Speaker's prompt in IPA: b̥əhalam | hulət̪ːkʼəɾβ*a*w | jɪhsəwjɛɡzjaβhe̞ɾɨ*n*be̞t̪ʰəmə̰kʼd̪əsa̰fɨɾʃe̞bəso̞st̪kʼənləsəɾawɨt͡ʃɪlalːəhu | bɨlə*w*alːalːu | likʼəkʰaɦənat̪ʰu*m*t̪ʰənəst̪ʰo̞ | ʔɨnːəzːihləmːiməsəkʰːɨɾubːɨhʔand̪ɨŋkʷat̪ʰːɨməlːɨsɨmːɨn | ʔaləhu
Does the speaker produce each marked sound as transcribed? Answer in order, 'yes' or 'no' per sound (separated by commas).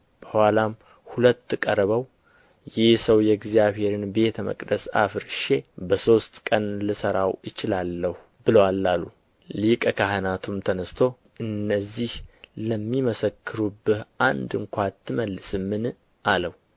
no, yes, yes, yes